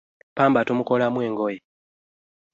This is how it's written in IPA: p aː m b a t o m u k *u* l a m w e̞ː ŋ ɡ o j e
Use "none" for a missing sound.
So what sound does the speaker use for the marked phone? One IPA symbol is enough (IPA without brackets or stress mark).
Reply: o